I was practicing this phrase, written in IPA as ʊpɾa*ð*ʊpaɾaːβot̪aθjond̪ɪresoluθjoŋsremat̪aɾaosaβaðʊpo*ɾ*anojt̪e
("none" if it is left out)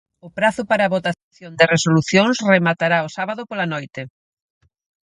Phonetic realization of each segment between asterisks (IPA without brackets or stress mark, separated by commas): θ, l